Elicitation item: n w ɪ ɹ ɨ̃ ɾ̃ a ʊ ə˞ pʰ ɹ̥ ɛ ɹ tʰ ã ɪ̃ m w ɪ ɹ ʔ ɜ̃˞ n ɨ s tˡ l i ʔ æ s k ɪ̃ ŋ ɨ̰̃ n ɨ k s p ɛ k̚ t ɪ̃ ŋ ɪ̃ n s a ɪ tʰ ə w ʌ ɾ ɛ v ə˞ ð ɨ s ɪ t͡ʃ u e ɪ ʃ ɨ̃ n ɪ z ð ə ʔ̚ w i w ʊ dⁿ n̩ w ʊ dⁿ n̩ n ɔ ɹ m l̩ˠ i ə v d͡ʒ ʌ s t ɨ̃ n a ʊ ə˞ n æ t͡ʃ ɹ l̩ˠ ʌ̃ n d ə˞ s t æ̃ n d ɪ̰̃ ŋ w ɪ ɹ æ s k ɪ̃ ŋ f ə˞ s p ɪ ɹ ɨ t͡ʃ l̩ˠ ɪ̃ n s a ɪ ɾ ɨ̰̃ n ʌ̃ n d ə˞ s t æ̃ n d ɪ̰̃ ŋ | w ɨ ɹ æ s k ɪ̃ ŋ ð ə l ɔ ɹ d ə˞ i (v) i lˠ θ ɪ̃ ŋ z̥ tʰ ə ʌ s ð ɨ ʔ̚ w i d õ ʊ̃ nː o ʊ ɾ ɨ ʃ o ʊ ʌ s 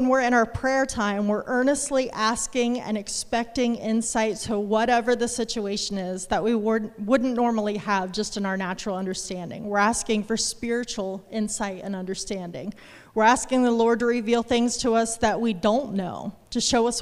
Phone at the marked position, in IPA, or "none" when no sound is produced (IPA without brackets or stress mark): v